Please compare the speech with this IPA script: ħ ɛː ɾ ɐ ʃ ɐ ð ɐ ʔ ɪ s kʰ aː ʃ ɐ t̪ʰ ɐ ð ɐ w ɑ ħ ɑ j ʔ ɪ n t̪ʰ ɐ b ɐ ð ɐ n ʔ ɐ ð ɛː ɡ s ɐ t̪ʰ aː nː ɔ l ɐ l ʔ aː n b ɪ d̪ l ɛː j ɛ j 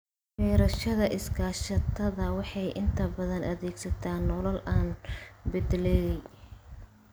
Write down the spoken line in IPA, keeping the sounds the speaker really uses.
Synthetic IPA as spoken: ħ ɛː ɾ ɐ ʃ ɐ ð ɐ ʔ ɪ s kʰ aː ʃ ɐ t̪ʰ ɐ ð ɐ w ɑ ħ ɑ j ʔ ɪ n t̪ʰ ɐ b ɐ ð ɐ n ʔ ɐ ð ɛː ɡ s ɐ t̪ʰ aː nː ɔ l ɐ l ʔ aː n b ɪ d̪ l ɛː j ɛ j